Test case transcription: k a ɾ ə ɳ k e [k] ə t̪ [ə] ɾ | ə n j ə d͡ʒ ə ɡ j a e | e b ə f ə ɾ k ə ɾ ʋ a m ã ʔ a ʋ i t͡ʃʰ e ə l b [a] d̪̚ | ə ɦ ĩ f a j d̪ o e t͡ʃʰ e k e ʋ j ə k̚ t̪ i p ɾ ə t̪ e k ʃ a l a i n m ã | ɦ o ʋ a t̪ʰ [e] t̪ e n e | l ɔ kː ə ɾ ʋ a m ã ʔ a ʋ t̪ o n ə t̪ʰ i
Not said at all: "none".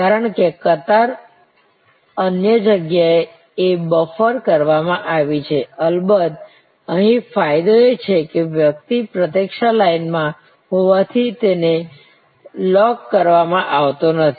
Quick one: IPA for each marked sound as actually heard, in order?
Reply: k, a, ə, i

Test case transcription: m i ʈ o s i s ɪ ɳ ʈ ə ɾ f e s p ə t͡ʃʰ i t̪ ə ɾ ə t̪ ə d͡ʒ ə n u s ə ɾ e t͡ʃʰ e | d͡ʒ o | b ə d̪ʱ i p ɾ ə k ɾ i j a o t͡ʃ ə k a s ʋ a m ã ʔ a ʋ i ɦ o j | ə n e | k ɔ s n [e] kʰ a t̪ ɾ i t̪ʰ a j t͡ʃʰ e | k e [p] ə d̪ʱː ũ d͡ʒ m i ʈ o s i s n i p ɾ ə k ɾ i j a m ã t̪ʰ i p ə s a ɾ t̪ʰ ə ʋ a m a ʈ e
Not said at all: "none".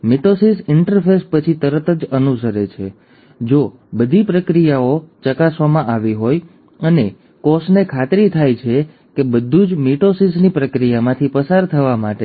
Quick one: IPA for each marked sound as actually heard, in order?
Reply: e, b

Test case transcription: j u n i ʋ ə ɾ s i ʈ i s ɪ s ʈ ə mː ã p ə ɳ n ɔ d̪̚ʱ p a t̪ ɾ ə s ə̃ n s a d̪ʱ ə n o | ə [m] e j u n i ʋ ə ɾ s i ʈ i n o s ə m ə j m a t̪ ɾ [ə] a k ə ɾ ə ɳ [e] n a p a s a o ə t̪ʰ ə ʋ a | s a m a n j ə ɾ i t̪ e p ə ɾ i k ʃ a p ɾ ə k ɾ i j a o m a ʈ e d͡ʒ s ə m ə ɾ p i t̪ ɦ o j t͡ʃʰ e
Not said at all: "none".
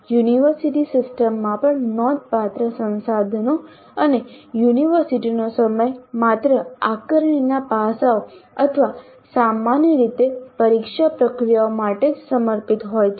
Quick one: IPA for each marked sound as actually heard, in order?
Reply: n, ə, i

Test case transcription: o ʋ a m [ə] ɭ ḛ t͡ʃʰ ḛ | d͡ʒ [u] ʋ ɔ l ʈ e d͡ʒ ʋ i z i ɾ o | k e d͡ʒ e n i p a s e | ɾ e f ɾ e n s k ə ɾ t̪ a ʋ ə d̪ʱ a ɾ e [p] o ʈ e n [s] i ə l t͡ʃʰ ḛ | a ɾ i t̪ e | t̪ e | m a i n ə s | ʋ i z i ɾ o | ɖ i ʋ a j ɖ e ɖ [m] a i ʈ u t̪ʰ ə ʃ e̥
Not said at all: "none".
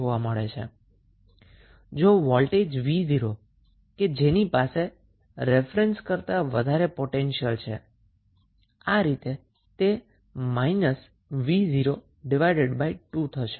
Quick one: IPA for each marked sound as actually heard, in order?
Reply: ə, o, p, ʃ, b

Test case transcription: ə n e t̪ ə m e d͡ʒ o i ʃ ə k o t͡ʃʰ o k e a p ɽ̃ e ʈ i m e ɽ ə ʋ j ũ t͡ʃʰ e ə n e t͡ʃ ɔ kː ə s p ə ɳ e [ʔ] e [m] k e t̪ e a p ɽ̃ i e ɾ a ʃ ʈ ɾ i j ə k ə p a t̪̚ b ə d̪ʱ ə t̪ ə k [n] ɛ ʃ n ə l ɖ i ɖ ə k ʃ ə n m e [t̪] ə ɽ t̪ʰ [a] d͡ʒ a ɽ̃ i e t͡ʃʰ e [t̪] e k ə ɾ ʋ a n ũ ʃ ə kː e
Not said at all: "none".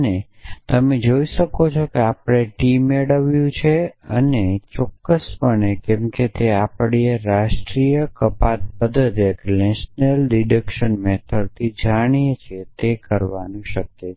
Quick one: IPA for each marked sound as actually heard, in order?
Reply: k, m, n, t̪ʰ, i, t̪

